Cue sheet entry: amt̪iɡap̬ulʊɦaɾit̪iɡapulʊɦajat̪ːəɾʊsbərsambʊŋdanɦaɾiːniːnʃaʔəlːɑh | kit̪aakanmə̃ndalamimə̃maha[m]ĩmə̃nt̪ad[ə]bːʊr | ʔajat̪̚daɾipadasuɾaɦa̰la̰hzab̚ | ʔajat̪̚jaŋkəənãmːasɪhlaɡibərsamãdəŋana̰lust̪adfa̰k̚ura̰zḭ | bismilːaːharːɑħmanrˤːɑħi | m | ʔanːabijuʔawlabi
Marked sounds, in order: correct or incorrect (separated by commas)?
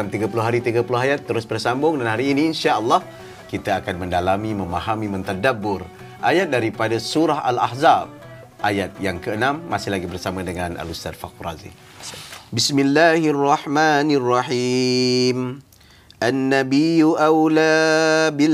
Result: correct, incorrect